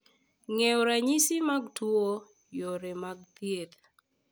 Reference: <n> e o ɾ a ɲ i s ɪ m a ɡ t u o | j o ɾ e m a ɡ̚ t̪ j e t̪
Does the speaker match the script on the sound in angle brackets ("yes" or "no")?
no